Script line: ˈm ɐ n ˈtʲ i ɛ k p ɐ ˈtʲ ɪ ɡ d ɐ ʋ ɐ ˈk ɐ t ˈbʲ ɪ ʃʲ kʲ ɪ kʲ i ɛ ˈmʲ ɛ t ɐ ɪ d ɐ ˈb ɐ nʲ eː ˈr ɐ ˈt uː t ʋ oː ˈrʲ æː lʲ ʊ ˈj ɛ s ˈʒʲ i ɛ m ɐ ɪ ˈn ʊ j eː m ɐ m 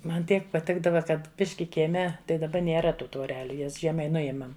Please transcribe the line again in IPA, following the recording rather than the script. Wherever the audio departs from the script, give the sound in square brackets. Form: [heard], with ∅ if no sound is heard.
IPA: ˈm ɐ n ˈtʲ i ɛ k p ɐ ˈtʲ ɪ ɡ d ɐ ʋ ɐ ˈk ɐ t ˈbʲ ɪ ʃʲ kʲ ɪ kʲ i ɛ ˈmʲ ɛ t ɐ ɪ d ɐ ˈb ɐ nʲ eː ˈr ɐ ˈt uː t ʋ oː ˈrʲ æː lʲ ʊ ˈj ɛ s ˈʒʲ i ɛ m ɐ ɪ ˈn ʊ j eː m ɐ m